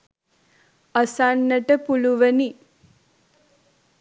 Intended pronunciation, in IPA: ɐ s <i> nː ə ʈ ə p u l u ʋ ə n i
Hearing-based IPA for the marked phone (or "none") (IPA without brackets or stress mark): a